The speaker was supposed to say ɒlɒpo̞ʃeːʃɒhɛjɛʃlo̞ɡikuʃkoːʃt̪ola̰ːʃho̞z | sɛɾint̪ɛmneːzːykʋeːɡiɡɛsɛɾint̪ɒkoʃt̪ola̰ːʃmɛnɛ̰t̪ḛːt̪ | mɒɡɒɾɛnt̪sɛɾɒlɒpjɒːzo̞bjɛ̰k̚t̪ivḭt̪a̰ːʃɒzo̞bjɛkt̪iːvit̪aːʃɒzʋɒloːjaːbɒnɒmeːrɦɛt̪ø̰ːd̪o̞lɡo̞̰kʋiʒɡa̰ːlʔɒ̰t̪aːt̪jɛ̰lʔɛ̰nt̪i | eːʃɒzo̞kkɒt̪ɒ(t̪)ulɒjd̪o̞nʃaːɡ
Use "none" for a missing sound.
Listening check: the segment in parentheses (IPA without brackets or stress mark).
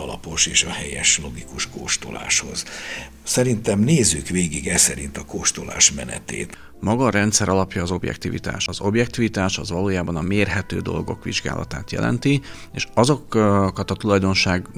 t̪